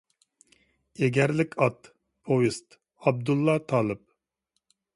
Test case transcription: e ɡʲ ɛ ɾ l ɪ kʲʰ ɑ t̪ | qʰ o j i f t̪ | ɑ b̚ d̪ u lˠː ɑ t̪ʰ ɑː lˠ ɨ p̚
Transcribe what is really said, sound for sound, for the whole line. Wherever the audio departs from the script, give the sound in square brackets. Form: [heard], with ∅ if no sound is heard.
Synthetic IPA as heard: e ɡʲ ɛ ɾ l ɪ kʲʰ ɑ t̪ | [pʰ] o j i [s] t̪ | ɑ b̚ d̪ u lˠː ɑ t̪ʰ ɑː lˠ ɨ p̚